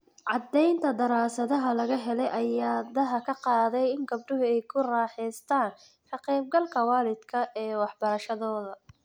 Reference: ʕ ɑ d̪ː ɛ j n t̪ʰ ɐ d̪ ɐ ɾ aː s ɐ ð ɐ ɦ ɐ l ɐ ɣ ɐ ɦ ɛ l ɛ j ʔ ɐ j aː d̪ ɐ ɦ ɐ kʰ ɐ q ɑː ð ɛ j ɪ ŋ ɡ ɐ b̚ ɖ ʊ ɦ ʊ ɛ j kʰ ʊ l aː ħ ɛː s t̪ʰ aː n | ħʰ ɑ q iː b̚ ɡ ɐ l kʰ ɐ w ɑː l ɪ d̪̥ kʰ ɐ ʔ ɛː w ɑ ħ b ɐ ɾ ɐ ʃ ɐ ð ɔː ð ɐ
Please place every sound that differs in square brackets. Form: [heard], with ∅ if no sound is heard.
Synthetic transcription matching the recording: ʕ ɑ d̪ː ɛ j n t̪ʰ ɐ d̪ ɐ ɾ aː s ɐ ð ɐ ɦ ɐ l ɐ ɣ ɐ ɦ ɛ l ɛ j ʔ ɐ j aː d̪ ɐ ɦ ɐ kʰ ɐ q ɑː ð ɛ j ɪ ŋ ɡ ɐ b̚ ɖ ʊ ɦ ʊ ɛ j kʰ ʊ [r] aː ħ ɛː s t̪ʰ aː n | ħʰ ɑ q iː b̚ ɡ ɐ l kʰ ɐ w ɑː l ɪ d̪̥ kʰ ɐ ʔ ɛː w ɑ ħ b ɐ ɾ ɐ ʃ ɐ ð ɔː ð ɐ